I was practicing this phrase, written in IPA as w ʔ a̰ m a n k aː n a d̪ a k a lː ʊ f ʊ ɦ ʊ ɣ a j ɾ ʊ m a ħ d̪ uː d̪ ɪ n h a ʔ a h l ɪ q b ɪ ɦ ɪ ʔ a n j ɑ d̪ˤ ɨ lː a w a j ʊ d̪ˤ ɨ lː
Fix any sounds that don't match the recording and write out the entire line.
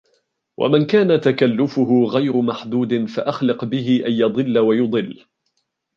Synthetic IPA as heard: w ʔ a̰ m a n k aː n a t̪ a k a lː ʊ f ʊ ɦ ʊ ɣ a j ɾ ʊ m a ħ d̪ uː d̪ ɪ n f a ʔ a x l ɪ q b ɪ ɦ ɪ ʔ a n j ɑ d̪ˤ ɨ lː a w a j ʊ d̪ˤ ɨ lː